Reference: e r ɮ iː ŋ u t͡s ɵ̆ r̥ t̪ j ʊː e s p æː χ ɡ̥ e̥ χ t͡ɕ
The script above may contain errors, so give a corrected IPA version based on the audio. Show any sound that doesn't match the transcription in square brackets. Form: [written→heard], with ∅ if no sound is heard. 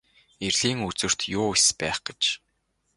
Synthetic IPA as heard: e r ɮ iː ŋ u t͡s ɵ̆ r̥ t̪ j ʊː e s p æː χ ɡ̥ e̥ [χ→∅] t͡ɕ